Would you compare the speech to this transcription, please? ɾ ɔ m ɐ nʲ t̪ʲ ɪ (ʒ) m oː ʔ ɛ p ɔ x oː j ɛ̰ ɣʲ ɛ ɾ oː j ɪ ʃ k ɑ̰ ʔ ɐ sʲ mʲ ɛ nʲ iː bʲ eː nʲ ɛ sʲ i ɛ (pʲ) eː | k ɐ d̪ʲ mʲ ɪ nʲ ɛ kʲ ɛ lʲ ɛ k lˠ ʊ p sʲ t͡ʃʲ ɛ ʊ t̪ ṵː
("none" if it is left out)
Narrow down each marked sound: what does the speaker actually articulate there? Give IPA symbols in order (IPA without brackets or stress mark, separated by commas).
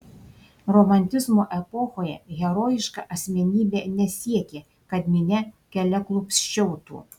z, kʲ